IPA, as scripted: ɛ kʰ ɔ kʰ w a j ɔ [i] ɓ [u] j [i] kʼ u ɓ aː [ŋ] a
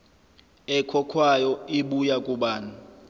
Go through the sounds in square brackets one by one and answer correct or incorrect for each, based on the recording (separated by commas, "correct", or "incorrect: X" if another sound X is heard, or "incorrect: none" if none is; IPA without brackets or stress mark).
correct, correct, incorrect: a, incorrect: n